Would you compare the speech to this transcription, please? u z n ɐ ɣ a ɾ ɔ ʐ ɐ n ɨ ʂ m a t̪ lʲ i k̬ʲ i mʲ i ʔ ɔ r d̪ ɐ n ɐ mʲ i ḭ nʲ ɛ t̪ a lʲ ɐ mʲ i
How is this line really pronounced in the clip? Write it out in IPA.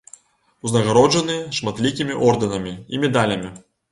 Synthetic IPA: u z n ɐ ɣ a ɾ ɔ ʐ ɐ n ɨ ʂ m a t̪ lʲ i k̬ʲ i mʲ i ʔ ɔ r d̪ ɐ n ɐ mʲ i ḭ mʲ ɛ d̪ a lʲ ɐ mʲ i